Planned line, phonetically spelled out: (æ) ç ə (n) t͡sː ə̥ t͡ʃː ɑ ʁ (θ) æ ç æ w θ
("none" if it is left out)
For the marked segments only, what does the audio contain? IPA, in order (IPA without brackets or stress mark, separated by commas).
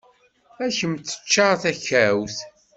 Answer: æ, m, θ